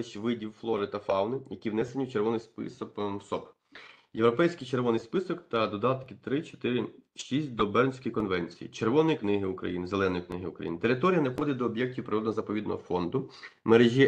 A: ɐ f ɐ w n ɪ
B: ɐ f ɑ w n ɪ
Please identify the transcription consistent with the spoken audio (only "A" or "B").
B